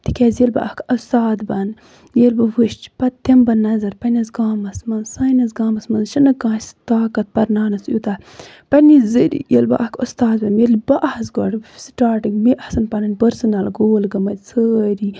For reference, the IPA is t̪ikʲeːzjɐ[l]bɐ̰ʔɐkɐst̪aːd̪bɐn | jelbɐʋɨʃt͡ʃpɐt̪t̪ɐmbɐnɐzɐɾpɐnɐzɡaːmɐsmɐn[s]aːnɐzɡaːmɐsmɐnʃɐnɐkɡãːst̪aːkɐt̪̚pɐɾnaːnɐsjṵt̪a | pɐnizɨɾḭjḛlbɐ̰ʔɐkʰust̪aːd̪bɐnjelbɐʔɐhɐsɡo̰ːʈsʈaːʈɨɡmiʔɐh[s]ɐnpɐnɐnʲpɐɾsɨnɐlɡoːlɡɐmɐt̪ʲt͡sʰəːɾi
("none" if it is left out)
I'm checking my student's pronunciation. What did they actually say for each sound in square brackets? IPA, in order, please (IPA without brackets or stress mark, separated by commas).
l, s, s